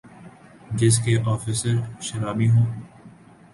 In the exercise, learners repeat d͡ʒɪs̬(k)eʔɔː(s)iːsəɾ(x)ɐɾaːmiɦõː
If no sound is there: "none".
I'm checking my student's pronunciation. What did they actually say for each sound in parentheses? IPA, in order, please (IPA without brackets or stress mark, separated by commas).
k, f, ʃ